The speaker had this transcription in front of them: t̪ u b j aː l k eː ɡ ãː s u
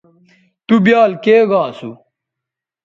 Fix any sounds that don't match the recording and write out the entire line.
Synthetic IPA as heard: t̪ u b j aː l k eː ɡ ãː s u